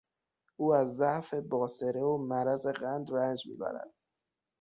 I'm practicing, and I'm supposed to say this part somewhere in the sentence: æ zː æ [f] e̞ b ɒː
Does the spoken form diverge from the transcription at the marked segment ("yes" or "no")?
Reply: no